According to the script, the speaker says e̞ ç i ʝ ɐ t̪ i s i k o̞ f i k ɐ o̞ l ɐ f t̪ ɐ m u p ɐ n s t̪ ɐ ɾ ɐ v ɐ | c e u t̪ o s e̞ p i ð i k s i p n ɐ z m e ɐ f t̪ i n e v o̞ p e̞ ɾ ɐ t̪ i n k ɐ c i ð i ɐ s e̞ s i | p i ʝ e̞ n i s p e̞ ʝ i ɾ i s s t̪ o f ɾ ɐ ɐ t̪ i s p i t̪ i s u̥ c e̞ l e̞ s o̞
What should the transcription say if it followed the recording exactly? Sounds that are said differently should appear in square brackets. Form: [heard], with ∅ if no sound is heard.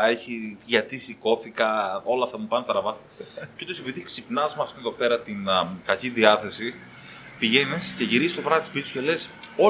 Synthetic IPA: e̞ ç i ʝ ɐ t̪ i s i k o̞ f i k ɐ o̞ l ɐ f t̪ ɐ m u p ɐ n s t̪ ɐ ɾ ɐ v ɐ | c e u t̪ o s e̞ p i ð i k s i p n ɐ z m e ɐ f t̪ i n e [ð] o̞ p e̞ ɾ ɐ t̪ i n k ɐ c i ð i ɐ [θ] e̞ s i | p i ʝ e̞ n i s [c] e̞ ʝ i ɾ i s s t̪ o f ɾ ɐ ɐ t̪ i s p i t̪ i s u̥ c e̞ l e̞ s o̞